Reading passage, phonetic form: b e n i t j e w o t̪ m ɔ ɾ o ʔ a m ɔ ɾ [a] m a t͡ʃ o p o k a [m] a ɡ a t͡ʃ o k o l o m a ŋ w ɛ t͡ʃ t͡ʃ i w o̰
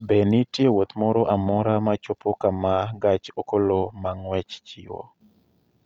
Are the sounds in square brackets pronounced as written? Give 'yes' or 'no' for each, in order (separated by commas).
yes, yes